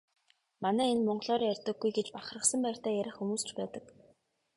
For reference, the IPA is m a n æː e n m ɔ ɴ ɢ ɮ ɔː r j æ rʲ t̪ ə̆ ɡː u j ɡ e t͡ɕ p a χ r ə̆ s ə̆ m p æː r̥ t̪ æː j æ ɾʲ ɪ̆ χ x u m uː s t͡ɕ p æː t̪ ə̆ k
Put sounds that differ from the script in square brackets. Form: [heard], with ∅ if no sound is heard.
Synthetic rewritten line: m a n æː e n m ɔ ɴ ɢ ɮ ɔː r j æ rʲ t̪ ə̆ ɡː u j ɡ e t͡ɕ p a χ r ə̆ s ə̆ m p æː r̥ t̪ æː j æ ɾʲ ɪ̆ χ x u m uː s t͡ɕ p æː t̪ ə̆ k